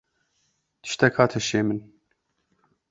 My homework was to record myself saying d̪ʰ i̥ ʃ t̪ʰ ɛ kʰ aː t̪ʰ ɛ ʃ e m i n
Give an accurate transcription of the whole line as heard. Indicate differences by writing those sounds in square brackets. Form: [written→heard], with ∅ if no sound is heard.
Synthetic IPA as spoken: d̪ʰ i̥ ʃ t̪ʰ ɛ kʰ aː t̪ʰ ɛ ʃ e m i n